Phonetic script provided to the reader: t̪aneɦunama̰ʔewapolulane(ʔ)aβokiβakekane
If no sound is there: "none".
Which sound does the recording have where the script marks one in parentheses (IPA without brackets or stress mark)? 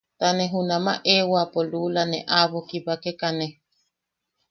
ʔ